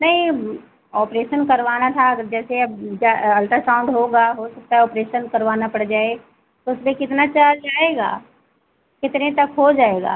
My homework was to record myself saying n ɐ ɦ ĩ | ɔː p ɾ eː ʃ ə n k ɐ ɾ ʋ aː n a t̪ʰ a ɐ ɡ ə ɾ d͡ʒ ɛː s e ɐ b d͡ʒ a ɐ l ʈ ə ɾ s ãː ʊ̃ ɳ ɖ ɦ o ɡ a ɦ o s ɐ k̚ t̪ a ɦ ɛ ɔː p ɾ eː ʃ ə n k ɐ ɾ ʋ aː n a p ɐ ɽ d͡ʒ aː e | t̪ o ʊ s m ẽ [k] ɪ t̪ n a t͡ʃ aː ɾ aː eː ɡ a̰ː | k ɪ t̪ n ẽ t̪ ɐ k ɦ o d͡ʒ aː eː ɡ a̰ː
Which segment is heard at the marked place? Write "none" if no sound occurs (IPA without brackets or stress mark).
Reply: k